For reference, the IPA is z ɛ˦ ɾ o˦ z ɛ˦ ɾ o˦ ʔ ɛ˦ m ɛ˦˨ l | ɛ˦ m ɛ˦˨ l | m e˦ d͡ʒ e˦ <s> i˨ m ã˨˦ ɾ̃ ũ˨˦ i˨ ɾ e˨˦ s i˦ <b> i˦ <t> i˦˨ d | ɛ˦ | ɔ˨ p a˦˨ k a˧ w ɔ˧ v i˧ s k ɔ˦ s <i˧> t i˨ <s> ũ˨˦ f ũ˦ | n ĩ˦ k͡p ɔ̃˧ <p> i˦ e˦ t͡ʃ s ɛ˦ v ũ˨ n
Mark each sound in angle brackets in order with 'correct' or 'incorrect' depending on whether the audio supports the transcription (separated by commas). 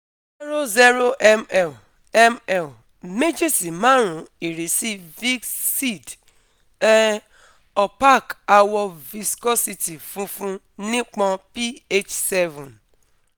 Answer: correct, incorrect, incorrect, correct, incorrect, correct